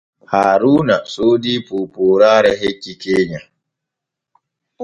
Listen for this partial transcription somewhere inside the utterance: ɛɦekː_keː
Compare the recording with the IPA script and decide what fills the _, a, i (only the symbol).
i